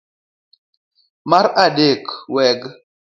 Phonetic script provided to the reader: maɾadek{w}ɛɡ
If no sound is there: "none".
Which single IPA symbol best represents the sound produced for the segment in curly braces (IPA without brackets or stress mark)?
w